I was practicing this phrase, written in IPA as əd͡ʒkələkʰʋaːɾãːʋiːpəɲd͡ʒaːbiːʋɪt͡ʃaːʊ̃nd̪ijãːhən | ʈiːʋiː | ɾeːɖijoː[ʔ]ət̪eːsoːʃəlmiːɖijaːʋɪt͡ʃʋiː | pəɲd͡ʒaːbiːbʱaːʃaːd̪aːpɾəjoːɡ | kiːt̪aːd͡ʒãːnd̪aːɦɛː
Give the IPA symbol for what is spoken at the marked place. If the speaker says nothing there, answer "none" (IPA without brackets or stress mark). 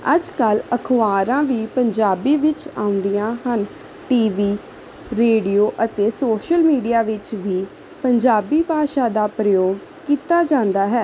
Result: ʔ